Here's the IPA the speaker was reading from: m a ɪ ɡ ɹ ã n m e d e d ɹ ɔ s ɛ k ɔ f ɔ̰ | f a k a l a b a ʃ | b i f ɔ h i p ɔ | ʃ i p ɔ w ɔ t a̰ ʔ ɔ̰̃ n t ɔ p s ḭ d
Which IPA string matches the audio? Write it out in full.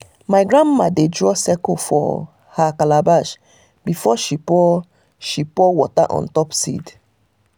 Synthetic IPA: m a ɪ ɡ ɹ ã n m a d e d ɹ ɔ s ɛ k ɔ f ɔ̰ | h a k a l a b a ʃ | b i f ɔ ʃ i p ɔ | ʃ i p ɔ w ɔ t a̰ ʔ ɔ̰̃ n t ɔ p s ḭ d